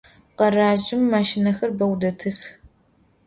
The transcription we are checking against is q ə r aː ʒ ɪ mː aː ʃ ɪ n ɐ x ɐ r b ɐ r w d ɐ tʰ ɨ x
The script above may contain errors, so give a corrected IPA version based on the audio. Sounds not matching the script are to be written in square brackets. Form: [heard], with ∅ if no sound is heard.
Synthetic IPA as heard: q [ɐ] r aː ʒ ɪ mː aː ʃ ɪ n ɐ x ɐ r b ɐ [∅] w d ɐ tʰ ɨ x